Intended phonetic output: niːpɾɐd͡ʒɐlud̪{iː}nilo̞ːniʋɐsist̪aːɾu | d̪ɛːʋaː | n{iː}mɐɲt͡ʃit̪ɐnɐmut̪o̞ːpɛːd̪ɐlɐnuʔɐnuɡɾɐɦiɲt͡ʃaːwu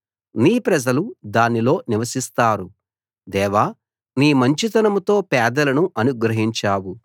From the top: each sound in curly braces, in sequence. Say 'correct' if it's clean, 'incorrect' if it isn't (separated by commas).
incorrect, correct